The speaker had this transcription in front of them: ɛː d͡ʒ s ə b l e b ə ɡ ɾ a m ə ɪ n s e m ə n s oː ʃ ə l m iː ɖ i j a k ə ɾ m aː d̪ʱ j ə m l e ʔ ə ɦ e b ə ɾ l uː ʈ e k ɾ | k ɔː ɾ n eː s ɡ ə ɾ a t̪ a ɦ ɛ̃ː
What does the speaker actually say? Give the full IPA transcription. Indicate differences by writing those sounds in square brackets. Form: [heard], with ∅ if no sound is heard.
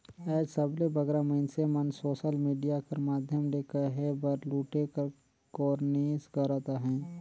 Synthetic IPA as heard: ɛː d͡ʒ s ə b l e b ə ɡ ɾ a m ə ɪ n s e m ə n s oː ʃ ə l m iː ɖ i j a k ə ɾ m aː d̪ʱ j ə m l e [k] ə ɦ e b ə ɾ l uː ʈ e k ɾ | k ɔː ɾ n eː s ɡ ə ɾ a t̪ a ɦ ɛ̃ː